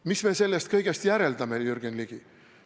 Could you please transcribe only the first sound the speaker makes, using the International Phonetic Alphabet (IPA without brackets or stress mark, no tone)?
m